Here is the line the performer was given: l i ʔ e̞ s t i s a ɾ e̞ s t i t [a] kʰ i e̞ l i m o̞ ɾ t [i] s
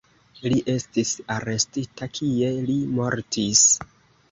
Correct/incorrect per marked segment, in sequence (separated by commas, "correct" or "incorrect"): correct, correct